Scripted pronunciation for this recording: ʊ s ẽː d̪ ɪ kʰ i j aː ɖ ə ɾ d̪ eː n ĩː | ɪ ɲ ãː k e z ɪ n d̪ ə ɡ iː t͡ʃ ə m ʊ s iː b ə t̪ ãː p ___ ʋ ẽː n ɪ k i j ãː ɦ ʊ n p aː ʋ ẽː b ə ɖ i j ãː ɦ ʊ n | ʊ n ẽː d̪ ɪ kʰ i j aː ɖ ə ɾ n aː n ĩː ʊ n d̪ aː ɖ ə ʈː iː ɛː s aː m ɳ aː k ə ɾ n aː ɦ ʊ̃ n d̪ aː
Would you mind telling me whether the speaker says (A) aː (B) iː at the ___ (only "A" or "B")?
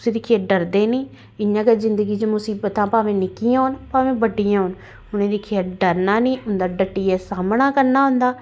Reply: A